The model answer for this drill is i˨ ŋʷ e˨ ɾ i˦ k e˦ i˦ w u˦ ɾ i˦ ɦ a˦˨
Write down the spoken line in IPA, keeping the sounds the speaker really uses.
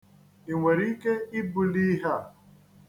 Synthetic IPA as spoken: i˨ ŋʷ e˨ ɾ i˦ k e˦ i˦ b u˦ l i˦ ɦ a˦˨